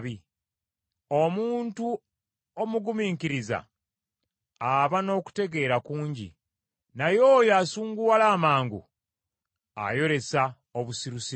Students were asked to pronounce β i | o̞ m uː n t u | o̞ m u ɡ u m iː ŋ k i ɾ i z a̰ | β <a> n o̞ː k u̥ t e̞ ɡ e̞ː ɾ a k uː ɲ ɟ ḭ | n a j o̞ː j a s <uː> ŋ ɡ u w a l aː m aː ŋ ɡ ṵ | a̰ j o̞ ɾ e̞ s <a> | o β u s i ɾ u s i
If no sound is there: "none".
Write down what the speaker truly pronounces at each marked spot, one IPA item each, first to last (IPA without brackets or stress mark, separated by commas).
a, uː, a